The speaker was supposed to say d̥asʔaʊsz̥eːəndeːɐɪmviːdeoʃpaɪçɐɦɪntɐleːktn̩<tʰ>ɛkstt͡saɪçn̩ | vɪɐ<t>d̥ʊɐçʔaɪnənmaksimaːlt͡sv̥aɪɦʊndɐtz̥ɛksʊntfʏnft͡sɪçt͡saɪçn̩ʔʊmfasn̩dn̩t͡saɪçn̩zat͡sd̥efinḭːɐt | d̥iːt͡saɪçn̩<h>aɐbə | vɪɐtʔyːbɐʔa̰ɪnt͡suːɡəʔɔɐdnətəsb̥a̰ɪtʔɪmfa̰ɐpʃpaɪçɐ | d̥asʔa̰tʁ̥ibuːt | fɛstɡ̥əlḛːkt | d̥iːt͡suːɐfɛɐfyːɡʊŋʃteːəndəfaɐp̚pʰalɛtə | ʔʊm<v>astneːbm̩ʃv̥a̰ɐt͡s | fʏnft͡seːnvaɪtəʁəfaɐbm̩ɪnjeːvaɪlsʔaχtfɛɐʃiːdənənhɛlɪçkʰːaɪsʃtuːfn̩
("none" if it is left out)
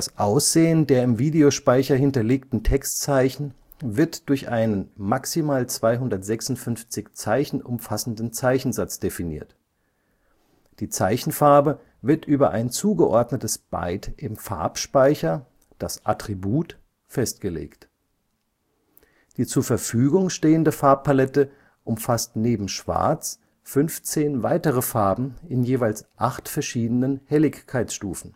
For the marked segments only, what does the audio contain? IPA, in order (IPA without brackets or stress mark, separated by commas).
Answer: tʰ, t, f, f